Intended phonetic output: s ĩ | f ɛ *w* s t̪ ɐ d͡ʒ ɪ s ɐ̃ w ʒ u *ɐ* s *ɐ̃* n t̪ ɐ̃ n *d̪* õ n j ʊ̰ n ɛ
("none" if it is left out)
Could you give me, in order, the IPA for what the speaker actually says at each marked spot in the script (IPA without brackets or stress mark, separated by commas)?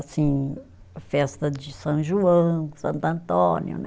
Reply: none, ɐ̃, ɐ̃, t̪